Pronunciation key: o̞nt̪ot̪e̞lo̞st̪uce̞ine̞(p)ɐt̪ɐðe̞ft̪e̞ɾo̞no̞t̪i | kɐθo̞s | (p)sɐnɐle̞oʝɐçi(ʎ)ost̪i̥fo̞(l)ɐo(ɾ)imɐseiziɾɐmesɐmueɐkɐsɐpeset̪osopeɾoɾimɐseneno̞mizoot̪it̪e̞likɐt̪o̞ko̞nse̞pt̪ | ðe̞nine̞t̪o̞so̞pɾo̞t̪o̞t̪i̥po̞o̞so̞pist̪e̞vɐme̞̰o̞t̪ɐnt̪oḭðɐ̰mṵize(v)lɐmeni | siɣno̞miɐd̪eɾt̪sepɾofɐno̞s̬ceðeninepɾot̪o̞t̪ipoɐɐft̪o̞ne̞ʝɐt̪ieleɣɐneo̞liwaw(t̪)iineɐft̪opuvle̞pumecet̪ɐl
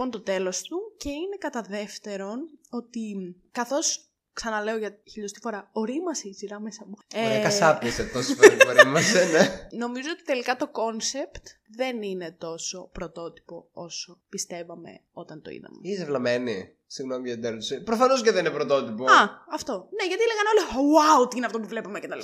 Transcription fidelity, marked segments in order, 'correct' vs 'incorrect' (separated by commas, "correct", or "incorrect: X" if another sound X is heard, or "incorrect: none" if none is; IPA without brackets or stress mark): incorrect: k, incorrect: k, correct, incorrect: ɾ, correct, correct, correct